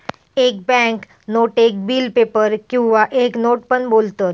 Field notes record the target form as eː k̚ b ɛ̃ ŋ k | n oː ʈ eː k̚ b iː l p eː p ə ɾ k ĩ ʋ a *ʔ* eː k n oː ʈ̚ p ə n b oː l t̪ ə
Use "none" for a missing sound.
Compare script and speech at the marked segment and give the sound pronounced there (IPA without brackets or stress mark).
ʔ